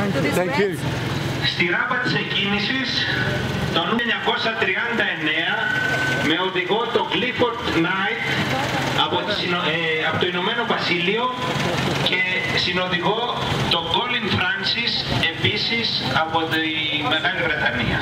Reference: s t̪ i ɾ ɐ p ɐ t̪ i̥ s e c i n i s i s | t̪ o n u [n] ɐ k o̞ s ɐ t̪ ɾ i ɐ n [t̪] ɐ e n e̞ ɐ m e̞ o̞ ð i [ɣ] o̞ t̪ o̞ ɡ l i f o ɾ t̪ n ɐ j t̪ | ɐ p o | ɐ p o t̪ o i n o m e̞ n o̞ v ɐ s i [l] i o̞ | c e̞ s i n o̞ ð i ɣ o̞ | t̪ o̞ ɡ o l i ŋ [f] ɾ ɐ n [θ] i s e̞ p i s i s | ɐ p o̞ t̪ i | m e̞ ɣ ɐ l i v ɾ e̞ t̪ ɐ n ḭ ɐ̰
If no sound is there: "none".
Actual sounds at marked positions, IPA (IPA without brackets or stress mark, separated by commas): ɲ, d̪, ɣ, l, f, s